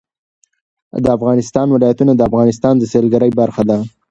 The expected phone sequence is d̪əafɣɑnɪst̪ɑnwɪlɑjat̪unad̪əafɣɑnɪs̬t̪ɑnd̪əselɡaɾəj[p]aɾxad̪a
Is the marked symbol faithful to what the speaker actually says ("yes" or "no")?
no